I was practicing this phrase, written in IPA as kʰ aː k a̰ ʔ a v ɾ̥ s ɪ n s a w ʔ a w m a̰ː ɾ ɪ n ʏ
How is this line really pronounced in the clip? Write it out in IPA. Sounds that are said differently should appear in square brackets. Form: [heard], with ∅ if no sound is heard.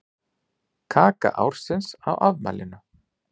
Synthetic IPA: kʰ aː k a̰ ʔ a [w] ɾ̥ s ɪ n s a w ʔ a [v] m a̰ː [l] ɪ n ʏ